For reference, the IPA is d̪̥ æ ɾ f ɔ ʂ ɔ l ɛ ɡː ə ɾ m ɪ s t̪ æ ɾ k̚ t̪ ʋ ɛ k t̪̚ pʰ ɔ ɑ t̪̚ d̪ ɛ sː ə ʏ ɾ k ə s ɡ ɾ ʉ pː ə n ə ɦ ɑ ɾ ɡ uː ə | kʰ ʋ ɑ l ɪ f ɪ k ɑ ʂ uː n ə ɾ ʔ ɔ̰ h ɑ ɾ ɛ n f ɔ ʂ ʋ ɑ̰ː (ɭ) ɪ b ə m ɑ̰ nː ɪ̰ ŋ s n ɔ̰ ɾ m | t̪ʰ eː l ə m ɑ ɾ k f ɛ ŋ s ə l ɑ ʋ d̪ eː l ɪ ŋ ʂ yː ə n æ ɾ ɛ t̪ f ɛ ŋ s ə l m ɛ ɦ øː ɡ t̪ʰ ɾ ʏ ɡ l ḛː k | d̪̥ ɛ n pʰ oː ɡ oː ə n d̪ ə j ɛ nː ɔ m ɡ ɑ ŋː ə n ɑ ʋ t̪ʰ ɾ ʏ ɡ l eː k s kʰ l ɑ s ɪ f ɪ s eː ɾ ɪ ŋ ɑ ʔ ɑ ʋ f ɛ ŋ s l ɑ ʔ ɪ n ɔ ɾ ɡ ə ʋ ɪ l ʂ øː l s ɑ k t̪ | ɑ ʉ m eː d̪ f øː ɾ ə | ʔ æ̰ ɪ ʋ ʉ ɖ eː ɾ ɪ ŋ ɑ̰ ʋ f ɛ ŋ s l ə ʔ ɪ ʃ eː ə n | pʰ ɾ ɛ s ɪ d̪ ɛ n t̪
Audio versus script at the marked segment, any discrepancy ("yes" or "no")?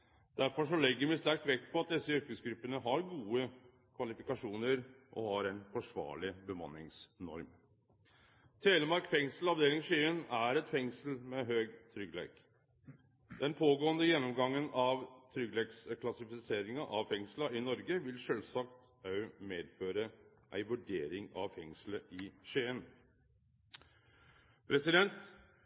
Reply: no